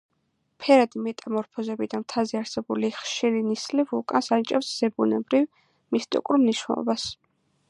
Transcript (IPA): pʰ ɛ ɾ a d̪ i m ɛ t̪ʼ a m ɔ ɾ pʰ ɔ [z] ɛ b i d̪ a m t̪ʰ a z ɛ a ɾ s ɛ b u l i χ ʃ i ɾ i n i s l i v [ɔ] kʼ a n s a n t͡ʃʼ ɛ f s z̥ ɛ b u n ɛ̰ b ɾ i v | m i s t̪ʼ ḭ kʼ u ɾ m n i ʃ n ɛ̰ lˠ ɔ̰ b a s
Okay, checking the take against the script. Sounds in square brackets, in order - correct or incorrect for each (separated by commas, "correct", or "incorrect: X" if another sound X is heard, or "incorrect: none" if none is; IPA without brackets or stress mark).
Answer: correct, incorrect: u